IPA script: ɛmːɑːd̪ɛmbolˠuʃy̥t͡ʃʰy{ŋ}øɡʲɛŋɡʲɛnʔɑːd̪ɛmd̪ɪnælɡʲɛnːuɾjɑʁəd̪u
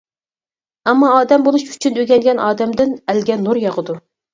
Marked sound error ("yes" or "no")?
yes